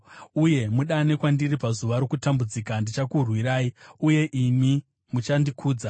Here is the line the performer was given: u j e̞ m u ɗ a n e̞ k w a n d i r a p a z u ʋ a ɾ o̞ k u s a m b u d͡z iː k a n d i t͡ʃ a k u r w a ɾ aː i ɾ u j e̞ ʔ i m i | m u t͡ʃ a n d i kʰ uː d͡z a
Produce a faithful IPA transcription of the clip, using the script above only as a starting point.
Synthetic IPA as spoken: u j e̞ m u ɗ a n e̞ k w a n d i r i p a z u ʋ a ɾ o̞ k u t a m b u d͡z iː k a n d i t͡ʃ a k u r w i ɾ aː i u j e̞ ʔ i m i | m u t͡ʃ a n d i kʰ uː d͡z a